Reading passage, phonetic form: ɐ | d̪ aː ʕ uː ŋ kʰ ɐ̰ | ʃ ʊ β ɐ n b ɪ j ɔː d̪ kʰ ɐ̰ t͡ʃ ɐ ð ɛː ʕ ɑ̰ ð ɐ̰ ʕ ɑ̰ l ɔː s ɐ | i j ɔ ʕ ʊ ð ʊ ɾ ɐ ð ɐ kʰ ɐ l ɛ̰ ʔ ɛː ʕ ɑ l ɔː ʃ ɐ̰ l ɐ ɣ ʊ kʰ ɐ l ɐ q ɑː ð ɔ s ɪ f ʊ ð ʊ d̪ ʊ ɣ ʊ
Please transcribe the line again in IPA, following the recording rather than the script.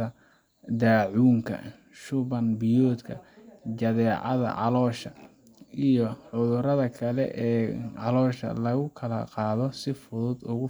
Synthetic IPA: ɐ | d̪ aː ʕ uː ŋ kʰ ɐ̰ | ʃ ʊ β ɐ n b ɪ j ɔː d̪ kʰ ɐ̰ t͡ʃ ɐ ð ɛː ʕ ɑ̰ ð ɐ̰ ʕ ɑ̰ l ɔː ʃ ɐ | i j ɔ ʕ ʊ ð ʊ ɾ ɐ ð ɐ kʰ ɐ l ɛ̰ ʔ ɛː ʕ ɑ l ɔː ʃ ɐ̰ l ɐ ɣ ʊ kʰ ɐ l ɐ q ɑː ð ɔ s ɪ f ʊ ð ʊ d̪ ʊ ɣ ʊ

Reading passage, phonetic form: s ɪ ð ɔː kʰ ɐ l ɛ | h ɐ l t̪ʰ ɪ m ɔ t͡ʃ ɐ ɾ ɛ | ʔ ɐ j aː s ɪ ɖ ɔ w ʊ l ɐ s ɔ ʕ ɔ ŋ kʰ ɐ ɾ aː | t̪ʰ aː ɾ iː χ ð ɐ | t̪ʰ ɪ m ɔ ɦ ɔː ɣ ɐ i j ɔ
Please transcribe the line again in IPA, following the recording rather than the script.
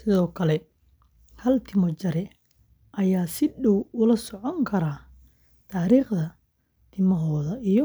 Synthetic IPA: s ɪ ð ɔː kʰ ɐ l ɛ | h ɐ l t̪ʰ ɪ m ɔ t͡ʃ ɐ ɾ ɛ | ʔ ɐ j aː s ɪ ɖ ɔ w ʊ l ɐ s ɔ ʕ ɔ ŋ kʰ ɐ ɾ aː | t̪ʰ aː ɾ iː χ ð ɐ | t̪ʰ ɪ m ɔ ɦ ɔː ð ɐ i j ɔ

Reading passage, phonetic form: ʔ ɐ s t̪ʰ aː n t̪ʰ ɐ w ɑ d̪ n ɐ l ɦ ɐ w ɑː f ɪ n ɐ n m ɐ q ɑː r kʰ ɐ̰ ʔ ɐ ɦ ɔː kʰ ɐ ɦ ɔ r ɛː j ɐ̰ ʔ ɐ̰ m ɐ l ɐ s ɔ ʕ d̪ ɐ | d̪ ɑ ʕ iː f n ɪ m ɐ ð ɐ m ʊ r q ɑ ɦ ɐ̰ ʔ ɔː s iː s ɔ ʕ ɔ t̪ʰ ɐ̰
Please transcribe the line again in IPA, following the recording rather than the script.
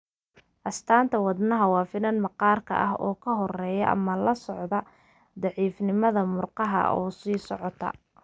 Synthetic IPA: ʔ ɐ s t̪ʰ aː n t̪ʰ ɐ w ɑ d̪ n ɐ ɦ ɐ w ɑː f ɪ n ɐ n m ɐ q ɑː r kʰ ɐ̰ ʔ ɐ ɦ ɔː kʰ ɐ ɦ ɔ r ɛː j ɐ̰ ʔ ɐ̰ m ɐ l ɐ s ɔ ʕ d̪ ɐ | d̪ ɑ ʕ iː f n ɪ m ɐ ð ɐ m ʊ r q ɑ ɦ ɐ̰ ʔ ɔː s iː s ɔ ʕ ɔ t̪ʰ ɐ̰

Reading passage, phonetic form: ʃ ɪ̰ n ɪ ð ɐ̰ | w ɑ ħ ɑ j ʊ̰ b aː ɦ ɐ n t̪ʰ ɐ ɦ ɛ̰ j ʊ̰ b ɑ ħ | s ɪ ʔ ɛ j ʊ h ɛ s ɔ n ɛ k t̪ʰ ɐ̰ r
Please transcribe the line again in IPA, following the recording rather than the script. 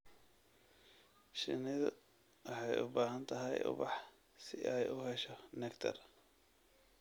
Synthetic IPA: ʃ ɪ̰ n ɪ ð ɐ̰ | w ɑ ħ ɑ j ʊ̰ b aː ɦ ɐ n t̪ʰ ɐ ɦ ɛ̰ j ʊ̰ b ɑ ħ | s ɪ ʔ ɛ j ʊ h ɛ ʃ ɔ n ɛ k t̪ʰ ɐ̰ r

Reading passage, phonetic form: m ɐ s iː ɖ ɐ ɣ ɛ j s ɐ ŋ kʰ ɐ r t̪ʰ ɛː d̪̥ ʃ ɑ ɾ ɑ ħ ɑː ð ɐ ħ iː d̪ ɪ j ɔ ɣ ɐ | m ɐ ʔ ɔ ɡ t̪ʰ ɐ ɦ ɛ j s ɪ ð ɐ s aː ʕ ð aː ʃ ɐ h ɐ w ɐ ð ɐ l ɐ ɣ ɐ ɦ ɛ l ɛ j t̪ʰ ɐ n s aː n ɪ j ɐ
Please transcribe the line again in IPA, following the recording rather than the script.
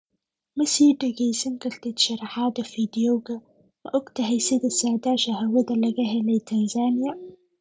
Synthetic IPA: m ɐ s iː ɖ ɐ ɣ ɛ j s ɐ ŋ kʰ ɐ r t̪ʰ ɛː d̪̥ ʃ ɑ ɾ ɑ ħ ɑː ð ɐ f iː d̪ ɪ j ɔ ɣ ɐ | m ɐ ʔ ɔ ɡ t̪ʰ ɐ ɦ ɛ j s ɪ ð ɐ s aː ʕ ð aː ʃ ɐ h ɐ w ɐ ð ɐ l ɐ ɣ ɐ ɦ ɛ l ɛ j t̪ʰ ɐ n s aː n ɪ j ɐ

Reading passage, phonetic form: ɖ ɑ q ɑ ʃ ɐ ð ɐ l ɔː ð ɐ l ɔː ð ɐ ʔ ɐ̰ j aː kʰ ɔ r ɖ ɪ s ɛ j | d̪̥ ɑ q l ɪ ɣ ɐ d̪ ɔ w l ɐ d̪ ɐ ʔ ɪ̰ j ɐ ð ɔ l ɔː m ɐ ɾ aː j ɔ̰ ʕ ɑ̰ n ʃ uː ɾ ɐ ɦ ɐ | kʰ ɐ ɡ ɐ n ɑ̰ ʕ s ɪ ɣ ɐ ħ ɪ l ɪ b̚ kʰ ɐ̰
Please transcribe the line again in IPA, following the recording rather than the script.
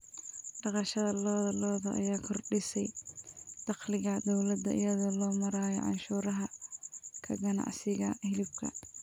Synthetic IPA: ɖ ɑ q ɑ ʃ ɐ ð ɐ l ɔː ð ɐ l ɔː ð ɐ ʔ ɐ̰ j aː kʰ ɔ r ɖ ɪ s ɛ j | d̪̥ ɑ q l ɪ ɣ ɐ d̪ ɔ w l ɐ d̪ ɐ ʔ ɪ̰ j ɐ ð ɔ l ɔː m ɐ ɾ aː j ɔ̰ ʕ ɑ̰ n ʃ uː ɾ ɐ ɦ ɐ | kʰ ɐ ɡ ɐ n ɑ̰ ʕ s ɪ ɣ ɐ h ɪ l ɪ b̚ kʰ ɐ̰

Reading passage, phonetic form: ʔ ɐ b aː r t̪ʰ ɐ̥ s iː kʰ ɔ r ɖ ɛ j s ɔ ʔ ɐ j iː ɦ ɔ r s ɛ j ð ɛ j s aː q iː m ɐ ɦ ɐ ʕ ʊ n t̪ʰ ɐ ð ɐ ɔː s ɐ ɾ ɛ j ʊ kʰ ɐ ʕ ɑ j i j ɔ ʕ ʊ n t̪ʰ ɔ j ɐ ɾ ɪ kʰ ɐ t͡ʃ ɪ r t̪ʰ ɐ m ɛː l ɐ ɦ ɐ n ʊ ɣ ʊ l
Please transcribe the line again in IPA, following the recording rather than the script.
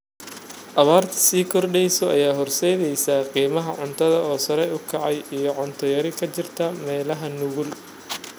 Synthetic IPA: ʔ ɐ β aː r t̪ʰ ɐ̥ s iː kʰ ɔ r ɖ ɛ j s ɔ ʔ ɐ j aː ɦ ɔ r s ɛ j ð ɛ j s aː q iː m ɐ ɦ ɐ ʕ ʊ n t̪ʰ ɐ ð ɐ ɔː s ɐ ɾ ɛ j ʊ kʰ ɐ ʕ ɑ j i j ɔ ʕ ʊ n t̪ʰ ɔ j ɐ ɾ ɪ kʰ ɐ t͡ʃ ɪ r t̪ʰ ɐ m ɛː l ɐ ɦ ɐ n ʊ ɣ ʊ l

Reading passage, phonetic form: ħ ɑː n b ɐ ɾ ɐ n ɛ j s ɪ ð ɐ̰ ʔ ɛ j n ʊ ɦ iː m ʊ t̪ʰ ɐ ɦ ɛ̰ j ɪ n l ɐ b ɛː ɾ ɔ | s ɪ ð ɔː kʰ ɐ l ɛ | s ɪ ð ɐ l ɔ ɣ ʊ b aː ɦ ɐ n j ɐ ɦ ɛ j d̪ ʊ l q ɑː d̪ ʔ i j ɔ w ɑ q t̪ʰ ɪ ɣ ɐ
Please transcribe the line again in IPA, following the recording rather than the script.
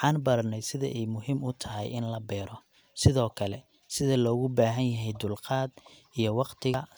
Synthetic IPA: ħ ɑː n b ɐ ɾ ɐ n ɛ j s ɪ ð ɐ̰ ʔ ɛ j m ʊ ɦ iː m ʊ t̪ʰ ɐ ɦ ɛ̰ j ɪ n l ɐ b ɛː ɾ ɔ | s ɪ ð ɔː kʰ ɐ l ɛ | s ɪ ð ɐ l ɔː ɣ ʊ b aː ɦ ɐ n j ɐ ɦ ɛ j d̪ ʊ l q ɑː d̪ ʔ i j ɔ w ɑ q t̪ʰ ɪ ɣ ɐ

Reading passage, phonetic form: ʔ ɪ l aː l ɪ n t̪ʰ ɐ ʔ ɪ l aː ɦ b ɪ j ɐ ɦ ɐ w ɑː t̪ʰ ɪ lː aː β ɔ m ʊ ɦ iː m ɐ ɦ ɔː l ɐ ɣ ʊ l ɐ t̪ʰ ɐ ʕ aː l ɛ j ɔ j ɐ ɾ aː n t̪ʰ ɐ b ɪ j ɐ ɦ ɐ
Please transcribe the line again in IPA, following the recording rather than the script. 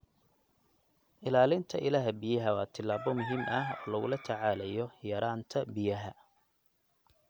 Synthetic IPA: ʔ ɪ l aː l ɪ n t̪ʰ ɐ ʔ ɪ l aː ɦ b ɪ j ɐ ɦ ɐ w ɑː t̪ʰ ɪ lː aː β ɔ m ʊ ɦ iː m ɐ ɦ ɔː l ɐ ɣ ʊ l ɐ t̪ʰ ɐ ʕ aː l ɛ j ɔ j ɐ ɾ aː n t̪ʰ ɐ b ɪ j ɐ ɦ ɐ

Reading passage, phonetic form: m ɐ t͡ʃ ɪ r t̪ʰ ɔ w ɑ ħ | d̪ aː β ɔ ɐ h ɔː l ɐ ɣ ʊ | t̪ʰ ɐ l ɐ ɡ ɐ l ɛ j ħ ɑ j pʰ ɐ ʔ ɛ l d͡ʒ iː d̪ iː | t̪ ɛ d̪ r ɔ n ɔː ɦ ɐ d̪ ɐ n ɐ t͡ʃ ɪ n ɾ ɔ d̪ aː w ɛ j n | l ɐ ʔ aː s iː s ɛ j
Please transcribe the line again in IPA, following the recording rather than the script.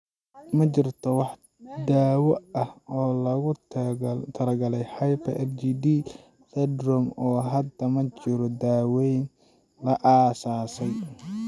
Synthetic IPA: m ɐ t͡ʃ ɪ r t̪ʰ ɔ w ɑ ħ | d̪ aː w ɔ ɐ h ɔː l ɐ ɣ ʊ | t̪ʰ ɐ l ɐ ɡ ɐ l ɛ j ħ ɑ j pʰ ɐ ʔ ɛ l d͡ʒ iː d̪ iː | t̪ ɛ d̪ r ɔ m ɔː ɦ ɐ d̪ ɐ m ɐ t͡ʃ ɪ ɾ ɔ d̪ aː w ɛ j n | l ɐ ʔ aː s aː s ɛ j

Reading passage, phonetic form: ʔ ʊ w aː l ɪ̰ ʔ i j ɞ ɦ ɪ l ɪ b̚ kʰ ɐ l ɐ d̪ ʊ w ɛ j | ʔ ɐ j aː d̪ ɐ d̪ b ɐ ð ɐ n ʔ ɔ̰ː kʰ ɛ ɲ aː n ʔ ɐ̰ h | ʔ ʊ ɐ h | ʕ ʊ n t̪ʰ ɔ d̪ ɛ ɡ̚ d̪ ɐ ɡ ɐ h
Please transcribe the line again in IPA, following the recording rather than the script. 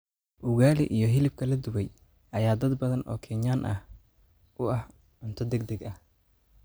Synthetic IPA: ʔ ʊ ɣ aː l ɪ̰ ʔ i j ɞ ɦ ɪ l ɪ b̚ kʰ ɐ l ɐ d̪ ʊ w ɛ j | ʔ ɐ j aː d̪ ɐ d̪ b ɐ ð ɐ n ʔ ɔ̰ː kʰ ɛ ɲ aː n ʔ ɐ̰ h | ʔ ʊ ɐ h | ʕ ʊ n t̪ʰ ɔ d̪ ɛ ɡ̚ d̪ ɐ ɡ ɐ h

